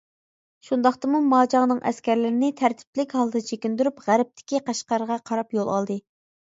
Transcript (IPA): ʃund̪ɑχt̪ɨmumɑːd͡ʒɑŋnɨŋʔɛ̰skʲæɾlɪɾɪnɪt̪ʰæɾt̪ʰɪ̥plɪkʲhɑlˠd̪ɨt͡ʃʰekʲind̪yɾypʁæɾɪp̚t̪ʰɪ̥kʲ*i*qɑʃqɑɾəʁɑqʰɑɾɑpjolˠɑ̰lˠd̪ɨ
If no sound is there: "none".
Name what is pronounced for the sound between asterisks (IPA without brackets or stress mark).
i